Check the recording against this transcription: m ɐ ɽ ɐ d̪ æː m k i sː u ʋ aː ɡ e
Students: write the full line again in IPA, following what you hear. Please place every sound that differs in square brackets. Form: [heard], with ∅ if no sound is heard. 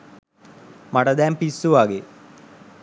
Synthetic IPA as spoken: m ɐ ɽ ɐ d̪ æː m [p] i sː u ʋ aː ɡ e

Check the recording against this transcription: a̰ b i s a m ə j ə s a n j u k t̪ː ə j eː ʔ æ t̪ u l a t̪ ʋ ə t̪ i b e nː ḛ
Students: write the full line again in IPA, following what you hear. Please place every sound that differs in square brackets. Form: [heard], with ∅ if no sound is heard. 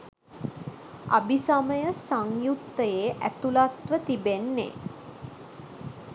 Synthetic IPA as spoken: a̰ b i s a m ə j ə s a [ŋ] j u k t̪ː ə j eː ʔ æ t̪ u l a t̪ ʋ ə t̪ i b e nː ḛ

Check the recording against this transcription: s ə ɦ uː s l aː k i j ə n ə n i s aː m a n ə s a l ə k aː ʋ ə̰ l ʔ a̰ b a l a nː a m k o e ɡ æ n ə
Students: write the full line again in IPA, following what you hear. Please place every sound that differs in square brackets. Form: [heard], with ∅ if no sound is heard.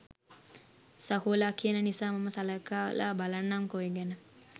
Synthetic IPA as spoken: s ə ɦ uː [∅] l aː k i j ə n ə n i s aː m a [m] ə s a l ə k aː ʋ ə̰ l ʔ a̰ b a l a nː a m k o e ɡ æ n ə

